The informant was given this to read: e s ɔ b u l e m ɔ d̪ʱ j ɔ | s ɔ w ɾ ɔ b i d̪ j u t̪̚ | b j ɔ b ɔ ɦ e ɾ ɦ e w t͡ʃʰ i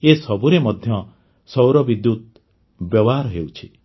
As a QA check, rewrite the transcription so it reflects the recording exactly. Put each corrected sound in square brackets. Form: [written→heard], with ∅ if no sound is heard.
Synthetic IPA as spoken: e s ɔ b u [l→ɾ] e m ɔ d̪ʱ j ɔ | s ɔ w ɾ ɔ b i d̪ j u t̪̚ | b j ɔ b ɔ ɦ [e→a] ɾ ɦ e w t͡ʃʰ i